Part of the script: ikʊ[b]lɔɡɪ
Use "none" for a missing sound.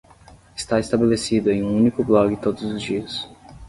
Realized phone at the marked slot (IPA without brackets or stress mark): b